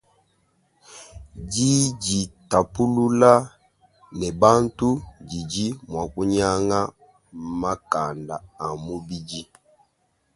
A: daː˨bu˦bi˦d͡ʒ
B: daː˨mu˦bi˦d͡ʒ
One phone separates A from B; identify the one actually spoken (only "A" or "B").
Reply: B